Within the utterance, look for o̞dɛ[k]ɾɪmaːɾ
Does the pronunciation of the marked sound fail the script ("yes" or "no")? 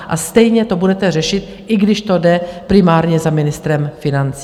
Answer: yes